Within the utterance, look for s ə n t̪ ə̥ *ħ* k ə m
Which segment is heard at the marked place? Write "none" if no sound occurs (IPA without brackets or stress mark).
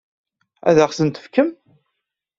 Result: f